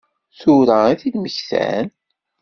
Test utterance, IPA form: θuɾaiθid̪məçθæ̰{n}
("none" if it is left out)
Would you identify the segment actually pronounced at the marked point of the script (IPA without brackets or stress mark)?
n